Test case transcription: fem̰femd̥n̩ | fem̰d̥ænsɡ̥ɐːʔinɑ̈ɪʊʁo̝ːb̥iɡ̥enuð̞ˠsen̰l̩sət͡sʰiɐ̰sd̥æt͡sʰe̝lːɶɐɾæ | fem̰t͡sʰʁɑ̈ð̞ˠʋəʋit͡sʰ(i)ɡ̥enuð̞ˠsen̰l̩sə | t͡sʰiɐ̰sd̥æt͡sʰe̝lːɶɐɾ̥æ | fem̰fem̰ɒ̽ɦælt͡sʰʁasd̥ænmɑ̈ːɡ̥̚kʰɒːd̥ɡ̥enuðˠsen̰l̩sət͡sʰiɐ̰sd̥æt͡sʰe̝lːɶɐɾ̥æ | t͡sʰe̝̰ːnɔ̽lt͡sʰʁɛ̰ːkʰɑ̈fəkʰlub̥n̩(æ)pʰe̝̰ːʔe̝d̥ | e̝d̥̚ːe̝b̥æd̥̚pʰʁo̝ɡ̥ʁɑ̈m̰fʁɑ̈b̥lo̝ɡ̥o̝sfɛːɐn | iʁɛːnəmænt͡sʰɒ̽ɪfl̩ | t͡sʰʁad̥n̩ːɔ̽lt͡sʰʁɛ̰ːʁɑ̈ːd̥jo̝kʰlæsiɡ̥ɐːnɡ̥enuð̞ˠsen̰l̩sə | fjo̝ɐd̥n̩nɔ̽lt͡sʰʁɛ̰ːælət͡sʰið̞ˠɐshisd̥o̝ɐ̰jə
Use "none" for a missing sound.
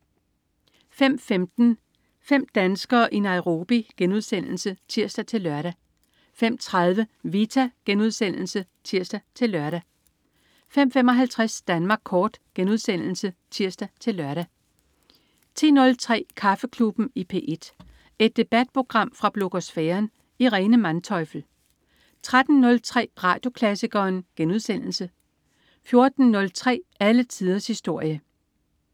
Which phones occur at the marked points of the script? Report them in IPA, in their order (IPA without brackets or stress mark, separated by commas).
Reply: æ, i